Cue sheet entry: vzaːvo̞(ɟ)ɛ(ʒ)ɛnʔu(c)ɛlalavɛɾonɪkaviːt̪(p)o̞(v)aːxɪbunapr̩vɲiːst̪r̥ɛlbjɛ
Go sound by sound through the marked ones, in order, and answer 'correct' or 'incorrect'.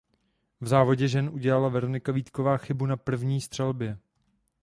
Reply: correct, correct, incorrect: ɟ, incorrect: k, correct

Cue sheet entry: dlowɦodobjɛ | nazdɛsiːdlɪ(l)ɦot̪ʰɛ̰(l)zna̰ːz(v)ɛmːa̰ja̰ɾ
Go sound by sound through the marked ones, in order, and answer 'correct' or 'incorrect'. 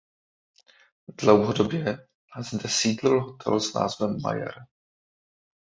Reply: correct, correct, correct

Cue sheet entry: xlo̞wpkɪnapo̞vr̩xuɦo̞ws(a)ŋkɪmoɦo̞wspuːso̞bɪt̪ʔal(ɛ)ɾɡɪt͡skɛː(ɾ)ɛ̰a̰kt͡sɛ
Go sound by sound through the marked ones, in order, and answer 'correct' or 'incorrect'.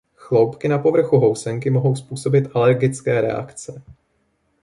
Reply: incorrect: ɛ, correct, correct

